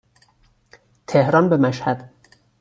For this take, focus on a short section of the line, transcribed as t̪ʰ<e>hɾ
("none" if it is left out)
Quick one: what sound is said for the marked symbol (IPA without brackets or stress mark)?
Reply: e